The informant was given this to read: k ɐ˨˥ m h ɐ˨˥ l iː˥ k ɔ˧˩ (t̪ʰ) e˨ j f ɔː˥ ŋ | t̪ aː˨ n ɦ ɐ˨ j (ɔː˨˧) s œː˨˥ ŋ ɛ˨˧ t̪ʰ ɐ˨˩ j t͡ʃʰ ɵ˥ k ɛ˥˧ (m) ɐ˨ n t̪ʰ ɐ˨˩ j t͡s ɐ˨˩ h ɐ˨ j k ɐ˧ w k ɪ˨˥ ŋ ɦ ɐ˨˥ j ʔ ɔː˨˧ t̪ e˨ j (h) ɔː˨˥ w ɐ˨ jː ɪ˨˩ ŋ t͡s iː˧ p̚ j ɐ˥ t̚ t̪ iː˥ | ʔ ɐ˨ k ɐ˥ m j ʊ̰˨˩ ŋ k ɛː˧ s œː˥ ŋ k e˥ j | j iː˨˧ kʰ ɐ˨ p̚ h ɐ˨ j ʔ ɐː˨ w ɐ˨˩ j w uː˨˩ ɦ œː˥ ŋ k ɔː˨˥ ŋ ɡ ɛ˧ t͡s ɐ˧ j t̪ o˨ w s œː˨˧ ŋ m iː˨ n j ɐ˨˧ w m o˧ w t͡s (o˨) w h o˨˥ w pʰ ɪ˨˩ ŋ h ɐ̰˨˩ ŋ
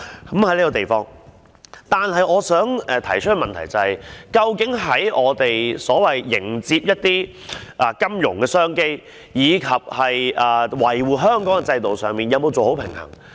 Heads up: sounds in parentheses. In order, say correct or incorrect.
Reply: incorrect: t̪, correct, correct, incorrect: s, correct

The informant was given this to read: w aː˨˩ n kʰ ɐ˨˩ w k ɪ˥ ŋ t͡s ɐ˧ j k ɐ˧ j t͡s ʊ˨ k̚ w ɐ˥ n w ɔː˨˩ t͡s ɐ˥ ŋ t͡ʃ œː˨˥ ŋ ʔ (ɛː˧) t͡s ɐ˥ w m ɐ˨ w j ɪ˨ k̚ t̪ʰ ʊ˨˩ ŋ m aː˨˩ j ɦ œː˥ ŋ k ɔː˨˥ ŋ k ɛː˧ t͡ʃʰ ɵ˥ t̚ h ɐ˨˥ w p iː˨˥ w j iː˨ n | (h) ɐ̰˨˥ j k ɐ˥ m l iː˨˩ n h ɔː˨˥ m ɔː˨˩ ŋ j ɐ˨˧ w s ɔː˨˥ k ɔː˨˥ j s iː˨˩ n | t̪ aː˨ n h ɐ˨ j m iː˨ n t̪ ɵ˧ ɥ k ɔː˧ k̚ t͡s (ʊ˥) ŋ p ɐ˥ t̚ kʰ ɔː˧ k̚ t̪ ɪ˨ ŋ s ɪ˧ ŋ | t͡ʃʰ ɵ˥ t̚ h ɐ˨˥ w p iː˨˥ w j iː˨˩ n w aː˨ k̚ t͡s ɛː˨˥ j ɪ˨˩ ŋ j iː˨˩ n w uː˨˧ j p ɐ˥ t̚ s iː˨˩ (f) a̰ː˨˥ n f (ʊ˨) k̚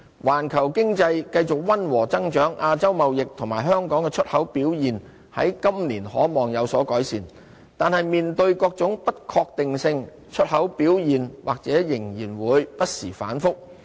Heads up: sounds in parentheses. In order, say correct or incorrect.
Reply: incorrect: aː˧, correct, incorrect: ʊ˨˥, correct, incorrect: ʊ˥

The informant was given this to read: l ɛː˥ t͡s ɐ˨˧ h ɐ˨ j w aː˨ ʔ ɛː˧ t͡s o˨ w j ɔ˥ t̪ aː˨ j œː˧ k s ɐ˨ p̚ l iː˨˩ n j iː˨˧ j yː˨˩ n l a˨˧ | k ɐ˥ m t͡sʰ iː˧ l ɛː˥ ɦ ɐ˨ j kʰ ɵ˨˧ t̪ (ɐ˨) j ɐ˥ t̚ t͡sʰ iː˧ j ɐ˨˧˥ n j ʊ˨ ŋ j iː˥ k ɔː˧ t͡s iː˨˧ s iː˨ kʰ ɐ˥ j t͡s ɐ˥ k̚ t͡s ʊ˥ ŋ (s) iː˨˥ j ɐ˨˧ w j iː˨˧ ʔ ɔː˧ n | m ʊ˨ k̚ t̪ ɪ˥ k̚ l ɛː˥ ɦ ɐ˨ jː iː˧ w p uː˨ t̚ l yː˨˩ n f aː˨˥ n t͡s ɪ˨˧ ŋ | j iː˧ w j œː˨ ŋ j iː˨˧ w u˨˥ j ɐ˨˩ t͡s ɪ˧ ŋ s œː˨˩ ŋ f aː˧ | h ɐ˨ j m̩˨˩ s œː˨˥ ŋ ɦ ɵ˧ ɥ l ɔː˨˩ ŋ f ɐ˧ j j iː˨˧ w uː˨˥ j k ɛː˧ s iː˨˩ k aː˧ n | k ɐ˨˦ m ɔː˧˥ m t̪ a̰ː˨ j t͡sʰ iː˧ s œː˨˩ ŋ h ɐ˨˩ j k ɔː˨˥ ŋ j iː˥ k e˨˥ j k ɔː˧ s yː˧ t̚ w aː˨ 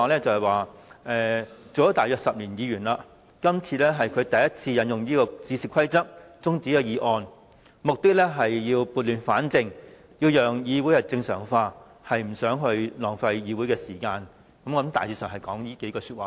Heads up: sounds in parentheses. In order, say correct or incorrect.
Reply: correct, incorrect: t͡s

